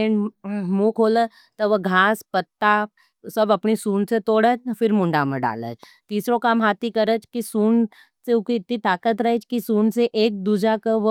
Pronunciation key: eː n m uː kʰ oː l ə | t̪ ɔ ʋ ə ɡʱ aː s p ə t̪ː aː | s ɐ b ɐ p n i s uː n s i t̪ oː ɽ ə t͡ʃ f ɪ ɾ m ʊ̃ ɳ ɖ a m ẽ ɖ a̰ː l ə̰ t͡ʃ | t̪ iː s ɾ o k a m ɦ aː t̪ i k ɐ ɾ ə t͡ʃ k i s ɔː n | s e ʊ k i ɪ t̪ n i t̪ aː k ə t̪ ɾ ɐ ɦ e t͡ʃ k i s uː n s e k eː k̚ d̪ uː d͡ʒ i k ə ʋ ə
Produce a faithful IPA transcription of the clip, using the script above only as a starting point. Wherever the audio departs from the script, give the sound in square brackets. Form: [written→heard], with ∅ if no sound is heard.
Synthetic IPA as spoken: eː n m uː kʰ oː l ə | t̪ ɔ ʋ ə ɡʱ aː s p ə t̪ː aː | s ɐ b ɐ p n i s uː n s [i→e] t̪ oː ɽ ə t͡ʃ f ɪ ɾ m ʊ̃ ɳ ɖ a m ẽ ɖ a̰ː l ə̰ t͡ʃ | t̪ iː s ɾ o k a m ɦ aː t̪ i k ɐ ɾ ə t͡ʃ k i s [ɔː→uː] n | s e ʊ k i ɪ t̪ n i t̪ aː k ə t̪ ɾ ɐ ɦ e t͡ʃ k i s uː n s e [k→ʔ] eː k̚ d̪ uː d͡ʒ [i→a] k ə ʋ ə